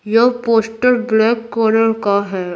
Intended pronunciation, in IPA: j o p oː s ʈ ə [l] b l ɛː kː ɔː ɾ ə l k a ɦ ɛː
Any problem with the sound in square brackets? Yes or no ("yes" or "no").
yes